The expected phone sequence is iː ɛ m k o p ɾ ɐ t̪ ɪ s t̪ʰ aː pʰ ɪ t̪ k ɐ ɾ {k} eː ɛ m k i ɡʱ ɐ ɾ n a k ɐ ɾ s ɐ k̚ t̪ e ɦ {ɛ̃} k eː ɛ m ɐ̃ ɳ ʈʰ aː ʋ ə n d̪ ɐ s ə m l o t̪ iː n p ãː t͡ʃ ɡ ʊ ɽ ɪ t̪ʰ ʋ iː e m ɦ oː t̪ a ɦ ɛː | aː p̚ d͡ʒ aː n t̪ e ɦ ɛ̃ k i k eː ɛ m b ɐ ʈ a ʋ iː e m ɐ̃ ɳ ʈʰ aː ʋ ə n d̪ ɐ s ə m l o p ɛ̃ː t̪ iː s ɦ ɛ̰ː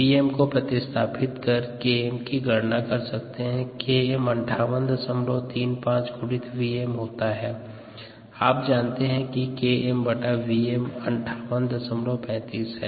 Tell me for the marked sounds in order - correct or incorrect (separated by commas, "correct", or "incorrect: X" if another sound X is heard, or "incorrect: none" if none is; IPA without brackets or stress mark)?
correct, correct